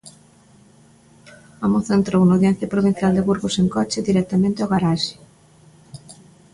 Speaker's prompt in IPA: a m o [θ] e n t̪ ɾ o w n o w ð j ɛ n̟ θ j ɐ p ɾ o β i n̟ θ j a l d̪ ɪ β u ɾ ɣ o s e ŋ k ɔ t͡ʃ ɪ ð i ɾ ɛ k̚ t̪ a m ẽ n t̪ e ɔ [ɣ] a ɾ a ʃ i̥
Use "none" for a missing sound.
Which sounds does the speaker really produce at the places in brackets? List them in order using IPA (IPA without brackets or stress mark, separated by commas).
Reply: θ, ɣ